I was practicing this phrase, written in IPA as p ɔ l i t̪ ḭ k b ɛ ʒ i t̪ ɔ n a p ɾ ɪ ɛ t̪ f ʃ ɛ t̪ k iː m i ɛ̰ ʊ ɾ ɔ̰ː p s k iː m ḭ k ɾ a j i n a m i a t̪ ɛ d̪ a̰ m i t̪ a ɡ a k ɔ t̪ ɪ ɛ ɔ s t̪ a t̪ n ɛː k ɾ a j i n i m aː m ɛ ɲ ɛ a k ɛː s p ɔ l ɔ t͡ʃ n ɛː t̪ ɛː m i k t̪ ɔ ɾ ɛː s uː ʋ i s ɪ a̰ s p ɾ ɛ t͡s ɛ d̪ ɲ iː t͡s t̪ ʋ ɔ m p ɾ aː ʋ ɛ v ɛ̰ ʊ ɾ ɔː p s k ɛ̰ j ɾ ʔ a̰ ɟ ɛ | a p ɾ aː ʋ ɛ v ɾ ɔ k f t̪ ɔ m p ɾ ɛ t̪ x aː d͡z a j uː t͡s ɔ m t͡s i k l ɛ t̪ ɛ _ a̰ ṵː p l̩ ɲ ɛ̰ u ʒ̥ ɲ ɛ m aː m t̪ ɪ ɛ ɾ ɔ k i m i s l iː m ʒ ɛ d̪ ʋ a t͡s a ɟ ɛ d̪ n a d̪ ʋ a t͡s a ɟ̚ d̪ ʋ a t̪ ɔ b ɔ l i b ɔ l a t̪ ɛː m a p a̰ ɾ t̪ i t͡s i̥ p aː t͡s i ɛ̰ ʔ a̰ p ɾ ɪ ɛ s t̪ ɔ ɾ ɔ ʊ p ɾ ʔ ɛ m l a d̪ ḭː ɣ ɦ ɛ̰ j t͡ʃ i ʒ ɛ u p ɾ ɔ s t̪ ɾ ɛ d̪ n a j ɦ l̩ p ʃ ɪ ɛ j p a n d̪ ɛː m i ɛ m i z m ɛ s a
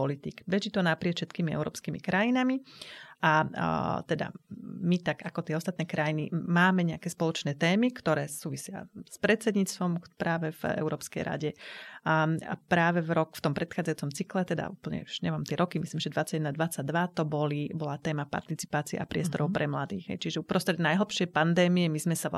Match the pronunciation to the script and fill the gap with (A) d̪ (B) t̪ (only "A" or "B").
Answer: A